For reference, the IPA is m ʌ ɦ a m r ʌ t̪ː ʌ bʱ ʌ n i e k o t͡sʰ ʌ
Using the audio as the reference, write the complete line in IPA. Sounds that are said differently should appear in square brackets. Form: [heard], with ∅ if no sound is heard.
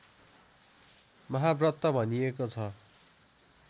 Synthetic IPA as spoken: m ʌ ɦ a [b] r ʌ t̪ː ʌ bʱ ʌ n i e k o t͡sʰ ʌ